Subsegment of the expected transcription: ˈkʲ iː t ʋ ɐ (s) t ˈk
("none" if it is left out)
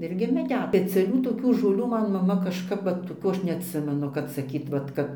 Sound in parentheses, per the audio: none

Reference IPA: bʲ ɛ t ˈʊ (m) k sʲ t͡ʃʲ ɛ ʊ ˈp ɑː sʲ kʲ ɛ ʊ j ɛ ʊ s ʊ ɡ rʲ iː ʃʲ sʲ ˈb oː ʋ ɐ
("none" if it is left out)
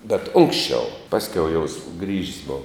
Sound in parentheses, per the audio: ŋ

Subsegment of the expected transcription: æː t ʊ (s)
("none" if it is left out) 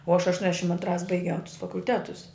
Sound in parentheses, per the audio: s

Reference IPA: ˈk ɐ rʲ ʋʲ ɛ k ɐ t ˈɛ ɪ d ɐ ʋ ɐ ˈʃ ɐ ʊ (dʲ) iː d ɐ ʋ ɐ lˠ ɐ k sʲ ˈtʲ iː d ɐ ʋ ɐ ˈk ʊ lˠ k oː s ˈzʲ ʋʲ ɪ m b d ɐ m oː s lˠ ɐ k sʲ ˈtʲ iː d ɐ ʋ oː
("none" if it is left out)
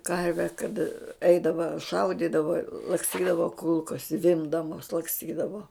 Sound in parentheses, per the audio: dʲ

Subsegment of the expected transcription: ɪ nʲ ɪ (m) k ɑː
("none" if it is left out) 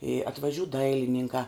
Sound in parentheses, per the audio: ŋ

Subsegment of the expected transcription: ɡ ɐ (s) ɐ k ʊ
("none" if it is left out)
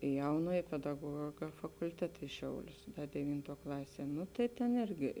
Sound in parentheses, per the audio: f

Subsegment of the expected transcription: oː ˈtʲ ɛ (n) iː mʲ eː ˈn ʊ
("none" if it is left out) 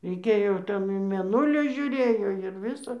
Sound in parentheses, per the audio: n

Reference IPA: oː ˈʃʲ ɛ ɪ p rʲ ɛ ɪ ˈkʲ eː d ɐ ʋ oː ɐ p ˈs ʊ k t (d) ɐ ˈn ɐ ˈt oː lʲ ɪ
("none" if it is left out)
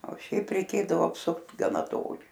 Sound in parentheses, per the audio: ɡ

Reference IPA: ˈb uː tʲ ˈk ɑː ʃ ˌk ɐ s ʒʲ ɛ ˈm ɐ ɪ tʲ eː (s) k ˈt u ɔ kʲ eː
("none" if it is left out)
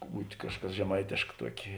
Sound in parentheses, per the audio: ʃ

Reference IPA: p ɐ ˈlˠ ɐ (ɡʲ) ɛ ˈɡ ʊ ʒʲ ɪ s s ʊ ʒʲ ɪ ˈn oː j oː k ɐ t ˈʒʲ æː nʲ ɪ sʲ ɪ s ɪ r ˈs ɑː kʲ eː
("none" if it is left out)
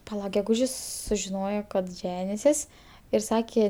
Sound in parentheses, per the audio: ɡʲ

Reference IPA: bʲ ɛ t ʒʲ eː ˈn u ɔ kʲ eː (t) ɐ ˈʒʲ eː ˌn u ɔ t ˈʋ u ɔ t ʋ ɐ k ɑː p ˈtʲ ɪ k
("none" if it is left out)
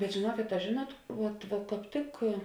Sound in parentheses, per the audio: t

